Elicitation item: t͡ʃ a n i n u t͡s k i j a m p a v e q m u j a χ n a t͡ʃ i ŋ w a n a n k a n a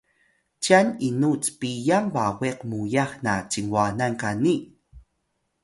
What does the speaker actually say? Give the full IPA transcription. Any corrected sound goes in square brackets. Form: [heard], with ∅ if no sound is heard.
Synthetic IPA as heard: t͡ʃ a n i n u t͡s [p] i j a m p a [w] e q m u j a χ n a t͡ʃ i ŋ w a n a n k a n [i]